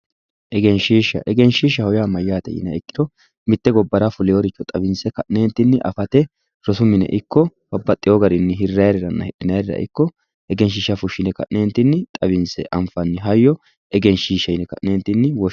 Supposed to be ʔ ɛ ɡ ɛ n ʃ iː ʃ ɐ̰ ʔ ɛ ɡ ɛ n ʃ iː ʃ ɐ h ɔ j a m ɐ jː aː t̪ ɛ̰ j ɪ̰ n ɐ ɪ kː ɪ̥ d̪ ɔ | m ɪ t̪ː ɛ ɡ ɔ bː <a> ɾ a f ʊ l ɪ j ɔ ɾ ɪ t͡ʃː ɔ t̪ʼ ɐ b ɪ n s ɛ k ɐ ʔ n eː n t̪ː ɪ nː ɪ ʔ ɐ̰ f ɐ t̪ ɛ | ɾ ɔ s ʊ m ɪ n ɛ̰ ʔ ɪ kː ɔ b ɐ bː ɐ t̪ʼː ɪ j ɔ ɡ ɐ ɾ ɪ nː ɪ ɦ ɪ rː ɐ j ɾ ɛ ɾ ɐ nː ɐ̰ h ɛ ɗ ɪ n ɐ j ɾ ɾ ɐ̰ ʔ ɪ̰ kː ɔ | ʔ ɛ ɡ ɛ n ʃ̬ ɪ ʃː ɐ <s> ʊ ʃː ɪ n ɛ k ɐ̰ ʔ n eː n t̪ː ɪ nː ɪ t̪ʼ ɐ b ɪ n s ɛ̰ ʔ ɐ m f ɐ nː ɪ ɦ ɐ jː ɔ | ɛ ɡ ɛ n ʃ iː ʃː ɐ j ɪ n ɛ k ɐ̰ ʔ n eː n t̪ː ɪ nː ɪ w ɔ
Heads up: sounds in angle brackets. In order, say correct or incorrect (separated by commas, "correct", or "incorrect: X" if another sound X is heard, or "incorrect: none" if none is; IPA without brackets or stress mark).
incorrect: ɐ, incorrect: f